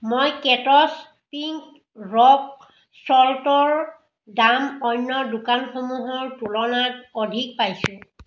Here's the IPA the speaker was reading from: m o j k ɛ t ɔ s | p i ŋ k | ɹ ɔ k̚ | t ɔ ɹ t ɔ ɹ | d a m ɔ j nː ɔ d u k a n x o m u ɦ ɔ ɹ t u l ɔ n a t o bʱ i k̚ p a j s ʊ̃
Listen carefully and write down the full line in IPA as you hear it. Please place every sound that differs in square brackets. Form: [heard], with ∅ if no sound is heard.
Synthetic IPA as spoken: m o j k ɛ t ɔ s | p i ŋ k | ɹ ɔ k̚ | [s] ɔ [l] t ɔ ɹ | d a m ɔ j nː ɔ d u k a n x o m u ɦ ɔ ɹ t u l ɔ n a t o [dʱ] i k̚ p a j s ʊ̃